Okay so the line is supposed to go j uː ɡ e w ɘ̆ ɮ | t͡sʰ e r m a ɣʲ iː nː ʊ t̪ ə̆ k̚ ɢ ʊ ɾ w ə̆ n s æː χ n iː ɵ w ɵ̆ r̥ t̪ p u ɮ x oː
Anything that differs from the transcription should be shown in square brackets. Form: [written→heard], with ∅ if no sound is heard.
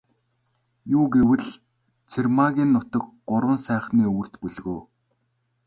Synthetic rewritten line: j uː ɡ e w ɘ̆ ɮ | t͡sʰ e r m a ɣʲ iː nː ʊ t̪ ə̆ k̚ ɢ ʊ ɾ w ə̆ n s æː χ n iː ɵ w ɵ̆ r̥ t̪ p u ɮ [x→ɣ] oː